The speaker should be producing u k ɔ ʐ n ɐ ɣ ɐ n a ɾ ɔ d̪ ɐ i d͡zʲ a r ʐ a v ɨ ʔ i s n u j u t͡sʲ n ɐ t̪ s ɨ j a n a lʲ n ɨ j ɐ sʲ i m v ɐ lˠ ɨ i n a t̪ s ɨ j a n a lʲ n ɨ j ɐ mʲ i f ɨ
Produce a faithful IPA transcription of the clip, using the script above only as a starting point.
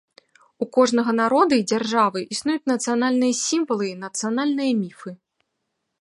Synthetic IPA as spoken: u k ɔ ʐ n ɐ ɣ ɐ n a ɾ ɔ d̪ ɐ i d͡zʲ a r ʐ a v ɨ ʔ i s n u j u t͡sʲ n ɐ t̪ s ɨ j a n a lʲ n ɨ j ɐ sʲ i m v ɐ lˠ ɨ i n ɐ t̪ s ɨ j a n a lʲ n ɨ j ɐ mʲ i f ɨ